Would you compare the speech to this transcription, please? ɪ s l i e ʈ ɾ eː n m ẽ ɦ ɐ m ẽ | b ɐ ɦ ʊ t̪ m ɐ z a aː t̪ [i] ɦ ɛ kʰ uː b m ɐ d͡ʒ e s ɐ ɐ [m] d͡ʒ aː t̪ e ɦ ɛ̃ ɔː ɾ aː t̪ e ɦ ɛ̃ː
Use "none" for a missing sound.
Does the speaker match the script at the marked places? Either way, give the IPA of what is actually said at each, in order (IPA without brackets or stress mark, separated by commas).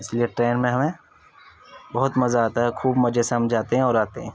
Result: a, m